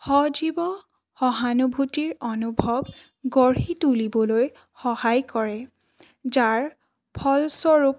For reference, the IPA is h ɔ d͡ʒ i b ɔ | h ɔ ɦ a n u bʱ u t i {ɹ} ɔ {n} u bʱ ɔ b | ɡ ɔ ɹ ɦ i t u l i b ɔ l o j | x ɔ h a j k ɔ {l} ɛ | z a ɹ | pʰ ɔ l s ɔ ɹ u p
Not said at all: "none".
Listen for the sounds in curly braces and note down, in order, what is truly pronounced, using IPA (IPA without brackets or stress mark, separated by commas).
ɹ, n, ɹ